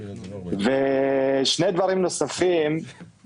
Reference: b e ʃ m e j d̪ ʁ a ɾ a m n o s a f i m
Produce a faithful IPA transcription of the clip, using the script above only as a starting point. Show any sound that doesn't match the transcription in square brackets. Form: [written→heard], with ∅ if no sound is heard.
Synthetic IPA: [b→v] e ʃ [m→n] e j d̪ [ʁ→v] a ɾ [a→i] m n o s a f i m